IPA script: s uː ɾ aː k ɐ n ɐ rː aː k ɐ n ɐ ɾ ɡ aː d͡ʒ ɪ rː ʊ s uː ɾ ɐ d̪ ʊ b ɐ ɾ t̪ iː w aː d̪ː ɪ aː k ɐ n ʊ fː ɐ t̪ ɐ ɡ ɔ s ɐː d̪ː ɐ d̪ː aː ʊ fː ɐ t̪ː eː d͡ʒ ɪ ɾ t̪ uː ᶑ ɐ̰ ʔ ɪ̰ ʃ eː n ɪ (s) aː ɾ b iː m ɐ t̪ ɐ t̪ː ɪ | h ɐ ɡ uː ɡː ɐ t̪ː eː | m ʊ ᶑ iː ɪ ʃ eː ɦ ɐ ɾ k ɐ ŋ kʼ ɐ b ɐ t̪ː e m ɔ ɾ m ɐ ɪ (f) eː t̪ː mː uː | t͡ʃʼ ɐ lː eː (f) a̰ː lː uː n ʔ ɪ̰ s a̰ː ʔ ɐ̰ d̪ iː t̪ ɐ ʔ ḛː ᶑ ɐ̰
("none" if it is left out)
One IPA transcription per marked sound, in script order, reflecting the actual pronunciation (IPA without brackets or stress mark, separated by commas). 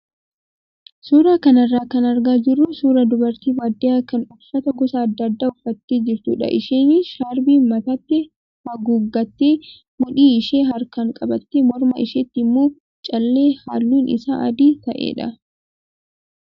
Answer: ʃ, ʃ, h